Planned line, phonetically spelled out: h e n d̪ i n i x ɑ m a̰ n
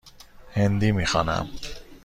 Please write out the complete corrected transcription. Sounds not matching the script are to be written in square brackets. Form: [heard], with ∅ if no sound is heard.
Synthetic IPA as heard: h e n d̪ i [m] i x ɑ [n] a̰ [m]